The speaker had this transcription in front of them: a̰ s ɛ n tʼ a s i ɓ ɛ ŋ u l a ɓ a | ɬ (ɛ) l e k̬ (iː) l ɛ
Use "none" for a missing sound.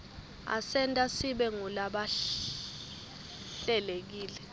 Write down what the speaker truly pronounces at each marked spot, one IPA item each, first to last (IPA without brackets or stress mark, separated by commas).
ɛ, iː